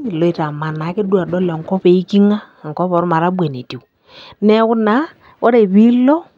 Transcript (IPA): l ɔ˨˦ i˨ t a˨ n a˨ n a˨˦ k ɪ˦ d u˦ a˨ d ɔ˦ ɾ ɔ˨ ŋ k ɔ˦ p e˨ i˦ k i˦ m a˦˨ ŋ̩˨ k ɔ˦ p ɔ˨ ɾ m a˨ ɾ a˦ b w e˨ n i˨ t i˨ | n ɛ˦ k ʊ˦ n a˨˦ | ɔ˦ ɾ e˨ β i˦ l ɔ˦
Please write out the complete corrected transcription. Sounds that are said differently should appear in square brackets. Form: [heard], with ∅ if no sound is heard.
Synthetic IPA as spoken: l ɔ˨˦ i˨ t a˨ [m] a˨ n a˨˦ k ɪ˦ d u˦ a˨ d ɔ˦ [l] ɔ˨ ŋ k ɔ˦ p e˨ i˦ k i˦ [ŋ] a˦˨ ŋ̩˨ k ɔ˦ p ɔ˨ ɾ m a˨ ɾ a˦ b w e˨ n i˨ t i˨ | n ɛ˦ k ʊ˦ n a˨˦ | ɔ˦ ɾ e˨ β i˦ l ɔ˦